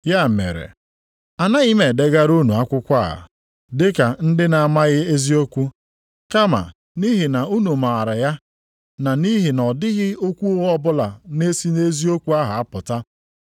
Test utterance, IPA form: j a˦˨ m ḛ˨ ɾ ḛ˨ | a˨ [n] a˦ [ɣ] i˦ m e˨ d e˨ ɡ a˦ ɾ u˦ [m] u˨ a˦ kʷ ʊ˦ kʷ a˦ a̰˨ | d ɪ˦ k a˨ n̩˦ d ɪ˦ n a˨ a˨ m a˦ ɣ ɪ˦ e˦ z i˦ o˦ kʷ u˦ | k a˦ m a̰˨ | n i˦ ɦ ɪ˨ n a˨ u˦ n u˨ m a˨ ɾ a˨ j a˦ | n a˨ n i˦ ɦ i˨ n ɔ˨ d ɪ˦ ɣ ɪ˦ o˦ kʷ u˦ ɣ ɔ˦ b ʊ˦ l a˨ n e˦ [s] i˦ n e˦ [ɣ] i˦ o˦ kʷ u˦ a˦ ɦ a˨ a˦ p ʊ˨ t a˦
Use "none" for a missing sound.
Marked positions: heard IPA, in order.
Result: n, ɣ, n, s, z

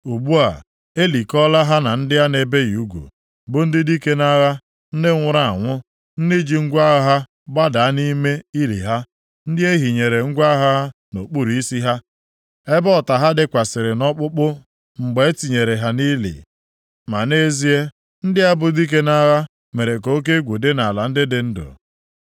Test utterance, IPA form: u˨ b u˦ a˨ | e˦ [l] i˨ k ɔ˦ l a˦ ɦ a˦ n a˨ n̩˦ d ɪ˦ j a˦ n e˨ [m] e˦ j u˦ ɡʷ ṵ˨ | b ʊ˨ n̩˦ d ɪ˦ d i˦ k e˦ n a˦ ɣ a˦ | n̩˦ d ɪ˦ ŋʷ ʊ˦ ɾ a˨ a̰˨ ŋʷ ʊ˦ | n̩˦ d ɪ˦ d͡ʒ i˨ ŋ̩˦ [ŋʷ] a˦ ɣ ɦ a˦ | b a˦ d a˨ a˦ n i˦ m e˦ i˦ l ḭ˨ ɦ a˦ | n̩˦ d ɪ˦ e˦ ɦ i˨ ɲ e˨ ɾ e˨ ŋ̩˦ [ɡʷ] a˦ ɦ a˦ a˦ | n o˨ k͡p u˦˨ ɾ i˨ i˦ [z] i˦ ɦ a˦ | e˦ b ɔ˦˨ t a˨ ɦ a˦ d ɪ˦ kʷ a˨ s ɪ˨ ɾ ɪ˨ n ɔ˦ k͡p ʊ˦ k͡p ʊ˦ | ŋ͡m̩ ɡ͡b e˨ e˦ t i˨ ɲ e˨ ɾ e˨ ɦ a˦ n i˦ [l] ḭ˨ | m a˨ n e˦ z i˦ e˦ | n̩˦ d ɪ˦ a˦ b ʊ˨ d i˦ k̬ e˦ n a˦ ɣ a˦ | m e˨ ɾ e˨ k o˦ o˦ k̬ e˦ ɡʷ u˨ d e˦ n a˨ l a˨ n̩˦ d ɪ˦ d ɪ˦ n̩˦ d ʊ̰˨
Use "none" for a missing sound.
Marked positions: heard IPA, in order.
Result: l, b, ɡʷ, ɡʷ, s, l

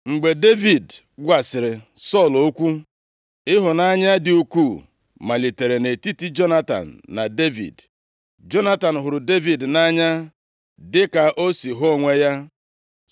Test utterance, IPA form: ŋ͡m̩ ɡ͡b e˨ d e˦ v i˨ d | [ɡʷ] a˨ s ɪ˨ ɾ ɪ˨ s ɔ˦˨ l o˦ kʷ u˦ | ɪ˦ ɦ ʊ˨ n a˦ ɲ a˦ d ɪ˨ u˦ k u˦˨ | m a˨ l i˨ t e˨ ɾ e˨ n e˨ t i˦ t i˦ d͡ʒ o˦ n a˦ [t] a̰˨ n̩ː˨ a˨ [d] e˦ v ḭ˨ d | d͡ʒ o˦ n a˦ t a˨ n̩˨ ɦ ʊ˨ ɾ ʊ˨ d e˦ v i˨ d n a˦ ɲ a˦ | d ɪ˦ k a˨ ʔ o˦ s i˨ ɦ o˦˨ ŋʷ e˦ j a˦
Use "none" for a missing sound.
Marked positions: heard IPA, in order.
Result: ɡʷ, t, d

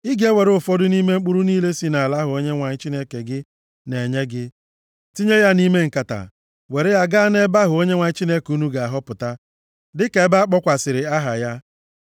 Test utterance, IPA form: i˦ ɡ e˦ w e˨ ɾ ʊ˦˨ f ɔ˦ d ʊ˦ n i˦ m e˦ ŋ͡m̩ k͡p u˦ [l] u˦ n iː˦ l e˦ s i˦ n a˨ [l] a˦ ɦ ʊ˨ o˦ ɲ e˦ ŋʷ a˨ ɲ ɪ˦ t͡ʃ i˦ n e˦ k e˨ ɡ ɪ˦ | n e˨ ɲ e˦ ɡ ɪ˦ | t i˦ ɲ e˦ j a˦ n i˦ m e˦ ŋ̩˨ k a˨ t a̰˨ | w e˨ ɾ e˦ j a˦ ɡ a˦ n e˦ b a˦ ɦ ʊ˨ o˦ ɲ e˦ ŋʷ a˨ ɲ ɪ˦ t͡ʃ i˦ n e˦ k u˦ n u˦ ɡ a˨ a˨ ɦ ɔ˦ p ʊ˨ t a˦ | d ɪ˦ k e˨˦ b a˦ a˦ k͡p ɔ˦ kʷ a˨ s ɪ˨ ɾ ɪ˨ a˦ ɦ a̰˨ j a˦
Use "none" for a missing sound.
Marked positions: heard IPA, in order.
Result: ɾ, l

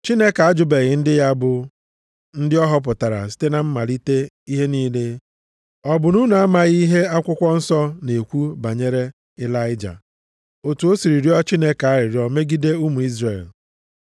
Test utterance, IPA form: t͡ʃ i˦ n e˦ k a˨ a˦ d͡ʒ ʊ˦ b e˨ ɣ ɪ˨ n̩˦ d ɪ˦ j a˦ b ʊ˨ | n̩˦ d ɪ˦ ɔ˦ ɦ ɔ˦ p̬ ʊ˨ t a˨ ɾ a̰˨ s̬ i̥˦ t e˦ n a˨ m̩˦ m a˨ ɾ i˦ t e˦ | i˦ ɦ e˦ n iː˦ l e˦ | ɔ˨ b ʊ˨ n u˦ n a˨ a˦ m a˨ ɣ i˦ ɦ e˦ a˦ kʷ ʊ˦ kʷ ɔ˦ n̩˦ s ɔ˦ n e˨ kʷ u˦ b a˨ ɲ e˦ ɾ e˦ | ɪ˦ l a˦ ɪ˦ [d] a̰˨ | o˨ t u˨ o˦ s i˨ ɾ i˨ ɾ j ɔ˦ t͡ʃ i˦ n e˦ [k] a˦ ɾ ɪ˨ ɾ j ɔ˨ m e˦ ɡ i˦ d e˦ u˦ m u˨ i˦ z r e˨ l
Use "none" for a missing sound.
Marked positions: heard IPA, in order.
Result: d͡ʒ, k

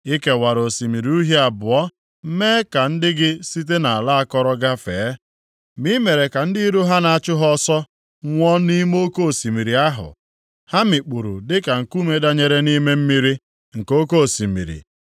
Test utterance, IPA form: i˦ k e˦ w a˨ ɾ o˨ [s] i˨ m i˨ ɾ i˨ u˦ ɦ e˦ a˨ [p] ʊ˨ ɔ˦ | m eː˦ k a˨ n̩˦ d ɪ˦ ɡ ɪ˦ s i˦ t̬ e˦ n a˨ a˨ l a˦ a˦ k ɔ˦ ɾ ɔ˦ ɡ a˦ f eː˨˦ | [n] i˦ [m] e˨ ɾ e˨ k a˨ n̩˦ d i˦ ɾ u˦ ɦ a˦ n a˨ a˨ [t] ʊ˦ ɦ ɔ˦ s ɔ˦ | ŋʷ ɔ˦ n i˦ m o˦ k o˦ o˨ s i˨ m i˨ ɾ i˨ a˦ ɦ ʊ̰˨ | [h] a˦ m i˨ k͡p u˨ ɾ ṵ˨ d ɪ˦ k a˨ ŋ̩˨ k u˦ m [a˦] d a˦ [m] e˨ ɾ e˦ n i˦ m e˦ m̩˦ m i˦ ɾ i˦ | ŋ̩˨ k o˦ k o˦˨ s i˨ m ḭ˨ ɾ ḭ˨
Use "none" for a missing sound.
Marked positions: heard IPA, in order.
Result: s, b, m, m, t͡ʃ, h, e˦, ɲ

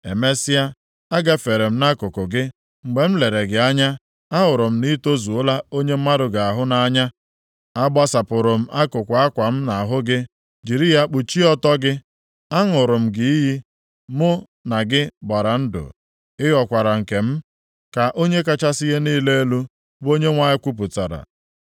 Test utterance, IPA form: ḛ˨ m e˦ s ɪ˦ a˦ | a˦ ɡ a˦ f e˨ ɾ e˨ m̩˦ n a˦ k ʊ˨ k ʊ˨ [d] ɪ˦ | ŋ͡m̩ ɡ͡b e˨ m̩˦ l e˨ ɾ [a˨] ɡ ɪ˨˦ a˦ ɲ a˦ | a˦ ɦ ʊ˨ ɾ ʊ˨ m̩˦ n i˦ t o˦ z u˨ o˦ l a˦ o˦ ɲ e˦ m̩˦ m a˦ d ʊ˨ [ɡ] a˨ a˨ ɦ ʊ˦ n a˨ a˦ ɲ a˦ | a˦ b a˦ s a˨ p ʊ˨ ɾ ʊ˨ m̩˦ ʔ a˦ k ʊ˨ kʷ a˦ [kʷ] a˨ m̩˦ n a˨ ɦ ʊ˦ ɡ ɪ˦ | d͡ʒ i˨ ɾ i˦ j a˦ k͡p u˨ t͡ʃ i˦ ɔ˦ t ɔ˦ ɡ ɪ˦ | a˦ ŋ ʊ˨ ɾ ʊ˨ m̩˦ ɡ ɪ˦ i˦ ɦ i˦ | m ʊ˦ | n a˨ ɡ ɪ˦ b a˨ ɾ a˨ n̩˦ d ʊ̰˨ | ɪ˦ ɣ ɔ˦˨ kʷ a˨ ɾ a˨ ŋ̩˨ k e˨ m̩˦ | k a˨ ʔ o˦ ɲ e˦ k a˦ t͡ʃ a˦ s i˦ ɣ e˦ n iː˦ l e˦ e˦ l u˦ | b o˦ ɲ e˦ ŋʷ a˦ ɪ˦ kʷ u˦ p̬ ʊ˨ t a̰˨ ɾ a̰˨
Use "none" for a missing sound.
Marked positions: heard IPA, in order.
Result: ɡ, e˨, ɡ, kʷ

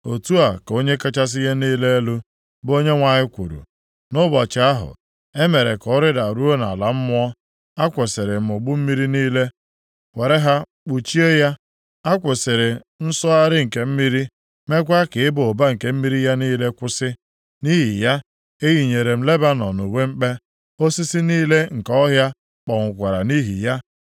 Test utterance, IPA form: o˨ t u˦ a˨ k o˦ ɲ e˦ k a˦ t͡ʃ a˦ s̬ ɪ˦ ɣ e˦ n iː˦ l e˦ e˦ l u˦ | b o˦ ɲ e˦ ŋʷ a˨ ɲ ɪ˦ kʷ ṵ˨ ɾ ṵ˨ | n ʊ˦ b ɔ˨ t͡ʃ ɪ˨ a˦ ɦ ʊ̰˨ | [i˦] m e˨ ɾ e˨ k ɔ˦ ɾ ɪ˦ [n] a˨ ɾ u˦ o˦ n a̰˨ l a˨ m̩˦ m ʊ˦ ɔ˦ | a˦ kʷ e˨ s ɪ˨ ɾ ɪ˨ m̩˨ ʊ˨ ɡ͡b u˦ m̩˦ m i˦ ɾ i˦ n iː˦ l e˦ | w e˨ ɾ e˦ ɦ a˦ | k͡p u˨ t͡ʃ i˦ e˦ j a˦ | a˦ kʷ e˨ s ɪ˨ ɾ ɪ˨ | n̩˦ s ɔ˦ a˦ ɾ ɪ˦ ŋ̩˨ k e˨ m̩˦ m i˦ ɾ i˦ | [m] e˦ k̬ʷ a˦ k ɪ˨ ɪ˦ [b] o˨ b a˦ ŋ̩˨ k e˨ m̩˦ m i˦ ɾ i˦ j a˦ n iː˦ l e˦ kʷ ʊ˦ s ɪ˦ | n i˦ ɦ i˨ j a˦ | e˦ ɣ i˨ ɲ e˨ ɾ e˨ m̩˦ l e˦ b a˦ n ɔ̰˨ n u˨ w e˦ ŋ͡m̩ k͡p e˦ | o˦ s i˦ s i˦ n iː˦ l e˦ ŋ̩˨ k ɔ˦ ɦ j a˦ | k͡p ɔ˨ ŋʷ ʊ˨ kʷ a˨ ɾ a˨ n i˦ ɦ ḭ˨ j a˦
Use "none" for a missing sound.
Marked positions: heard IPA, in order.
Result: e˦, d, m, b

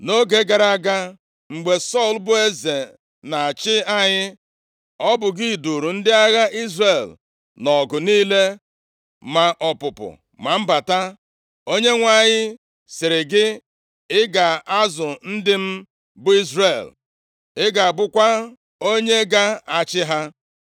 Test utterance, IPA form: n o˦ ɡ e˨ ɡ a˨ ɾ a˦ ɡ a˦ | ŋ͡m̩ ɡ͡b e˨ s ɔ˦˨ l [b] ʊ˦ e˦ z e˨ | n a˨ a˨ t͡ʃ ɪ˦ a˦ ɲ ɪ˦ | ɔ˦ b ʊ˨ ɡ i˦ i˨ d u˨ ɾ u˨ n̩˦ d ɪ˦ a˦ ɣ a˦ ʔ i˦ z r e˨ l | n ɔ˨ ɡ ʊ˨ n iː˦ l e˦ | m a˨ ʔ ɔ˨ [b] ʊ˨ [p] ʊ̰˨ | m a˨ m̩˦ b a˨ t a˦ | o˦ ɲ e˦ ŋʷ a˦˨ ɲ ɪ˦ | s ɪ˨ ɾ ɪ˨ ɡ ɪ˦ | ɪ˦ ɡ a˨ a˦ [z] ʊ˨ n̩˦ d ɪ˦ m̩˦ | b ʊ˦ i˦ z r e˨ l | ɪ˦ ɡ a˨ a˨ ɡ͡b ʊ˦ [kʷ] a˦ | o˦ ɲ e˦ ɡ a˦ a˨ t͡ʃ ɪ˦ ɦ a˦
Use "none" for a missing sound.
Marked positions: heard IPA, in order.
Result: b, p, p, z, kʷ

